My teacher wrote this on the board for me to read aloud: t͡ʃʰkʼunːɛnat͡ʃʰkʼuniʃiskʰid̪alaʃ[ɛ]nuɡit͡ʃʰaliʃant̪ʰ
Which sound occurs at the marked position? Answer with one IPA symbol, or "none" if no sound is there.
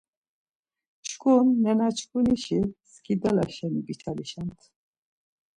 ɛ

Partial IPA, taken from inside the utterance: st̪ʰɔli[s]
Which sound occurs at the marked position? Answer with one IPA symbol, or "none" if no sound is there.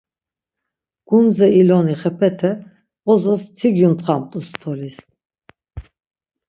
s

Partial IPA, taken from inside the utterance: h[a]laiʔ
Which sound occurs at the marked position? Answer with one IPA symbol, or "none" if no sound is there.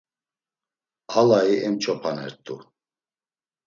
a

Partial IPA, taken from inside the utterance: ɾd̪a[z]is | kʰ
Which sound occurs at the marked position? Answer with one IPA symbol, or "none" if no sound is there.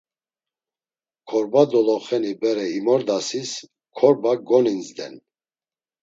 s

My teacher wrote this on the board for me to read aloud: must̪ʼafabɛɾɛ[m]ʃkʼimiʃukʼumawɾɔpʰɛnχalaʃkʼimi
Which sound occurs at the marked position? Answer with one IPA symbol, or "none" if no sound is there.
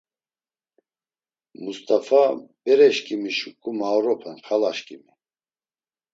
none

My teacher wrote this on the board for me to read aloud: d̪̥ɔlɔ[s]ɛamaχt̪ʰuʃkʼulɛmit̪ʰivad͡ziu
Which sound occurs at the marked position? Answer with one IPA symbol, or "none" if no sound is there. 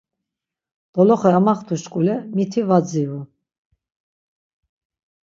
χ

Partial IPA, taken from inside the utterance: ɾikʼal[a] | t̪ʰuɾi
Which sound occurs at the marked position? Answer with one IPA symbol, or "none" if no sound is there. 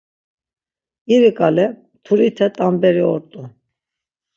ɛ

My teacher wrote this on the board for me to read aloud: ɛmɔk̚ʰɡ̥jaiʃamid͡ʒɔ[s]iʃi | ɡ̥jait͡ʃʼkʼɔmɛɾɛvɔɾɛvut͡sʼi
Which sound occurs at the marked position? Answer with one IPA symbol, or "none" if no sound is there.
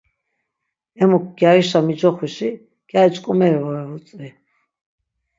χ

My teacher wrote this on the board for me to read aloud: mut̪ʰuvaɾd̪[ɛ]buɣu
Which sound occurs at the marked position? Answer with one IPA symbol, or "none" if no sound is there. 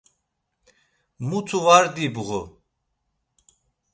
i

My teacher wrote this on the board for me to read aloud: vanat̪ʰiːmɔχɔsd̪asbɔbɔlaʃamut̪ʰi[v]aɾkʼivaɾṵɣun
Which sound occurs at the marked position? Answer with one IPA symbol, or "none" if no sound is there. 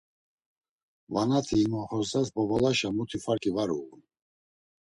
f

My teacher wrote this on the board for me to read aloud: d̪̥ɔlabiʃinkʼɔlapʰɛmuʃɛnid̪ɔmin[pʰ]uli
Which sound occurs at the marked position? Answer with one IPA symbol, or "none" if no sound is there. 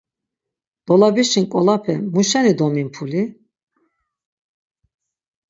pʰ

